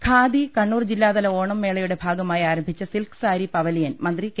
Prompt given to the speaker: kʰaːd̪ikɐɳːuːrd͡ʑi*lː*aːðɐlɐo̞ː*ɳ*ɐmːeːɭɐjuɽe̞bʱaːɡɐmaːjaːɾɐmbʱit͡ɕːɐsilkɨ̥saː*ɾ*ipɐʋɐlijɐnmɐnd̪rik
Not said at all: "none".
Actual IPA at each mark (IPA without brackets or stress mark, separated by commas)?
lː, ɳ, ɾ